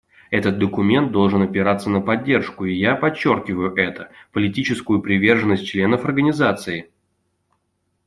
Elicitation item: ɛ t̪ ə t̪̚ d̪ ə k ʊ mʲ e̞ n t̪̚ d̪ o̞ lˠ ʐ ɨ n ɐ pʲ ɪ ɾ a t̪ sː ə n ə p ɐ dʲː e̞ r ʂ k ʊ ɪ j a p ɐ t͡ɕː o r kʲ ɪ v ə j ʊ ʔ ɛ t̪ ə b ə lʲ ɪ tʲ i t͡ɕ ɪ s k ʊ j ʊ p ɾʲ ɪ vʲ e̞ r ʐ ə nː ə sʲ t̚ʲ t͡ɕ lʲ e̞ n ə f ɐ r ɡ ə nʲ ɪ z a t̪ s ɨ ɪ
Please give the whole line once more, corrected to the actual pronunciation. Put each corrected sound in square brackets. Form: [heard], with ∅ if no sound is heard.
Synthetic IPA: ɛ t̪ ə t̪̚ d̪ ə k ʊ mʲ e̞ n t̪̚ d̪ o̞ lˠ ʐ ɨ n ɐ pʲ ɪ ɾ a t̪ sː ə n ə p ɐ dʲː e̞ r ʂ k ʊ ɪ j a p ɐ t͡ɕː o r kʲ ɪ v ə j ʊ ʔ ɛ t̪ ə [p] ə lʲ ɪ tʲ i t͡ɕ ɪ s k ʊ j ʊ p ɾʲ ɪ vʲ e̞ r ʐ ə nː ə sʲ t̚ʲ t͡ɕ lʲ e̞ n ə f ɐ r ɡ ə nʲ ɪ z a t̪ s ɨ ɪ